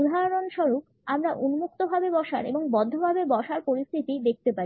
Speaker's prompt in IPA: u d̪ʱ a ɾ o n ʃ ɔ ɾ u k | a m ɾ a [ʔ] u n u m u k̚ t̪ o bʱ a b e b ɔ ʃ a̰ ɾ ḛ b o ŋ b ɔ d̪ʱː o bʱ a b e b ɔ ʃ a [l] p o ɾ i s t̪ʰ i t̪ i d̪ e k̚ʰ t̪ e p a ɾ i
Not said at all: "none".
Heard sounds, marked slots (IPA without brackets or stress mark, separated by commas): ʔ, ɾ